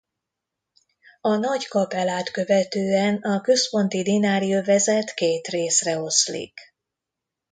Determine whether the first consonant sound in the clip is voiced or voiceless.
voiced